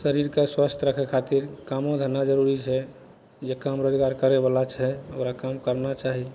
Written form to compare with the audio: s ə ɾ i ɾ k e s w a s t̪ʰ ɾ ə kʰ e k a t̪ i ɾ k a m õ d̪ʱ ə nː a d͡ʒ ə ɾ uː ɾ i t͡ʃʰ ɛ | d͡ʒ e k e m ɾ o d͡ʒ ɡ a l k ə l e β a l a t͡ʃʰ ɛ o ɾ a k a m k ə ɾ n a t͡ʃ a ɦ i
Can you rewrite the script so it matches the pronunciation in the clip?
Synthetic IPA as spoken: s ə ɾ i ɾ k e s w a s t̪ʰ ɾ ə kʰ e kʰ a t̪ i ɾ k a m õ d̪ʱ ə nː a d͡ʒ ə ɾ u ɾ i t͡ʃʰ ɛ | d͡ʒ e k a m ɾ o d͡ʒ ɡ a ɾ k ə ɾ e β a l a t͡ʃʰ ɛ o ɾ a k a m k ə ɾ n a t͡ʃ a ɦ i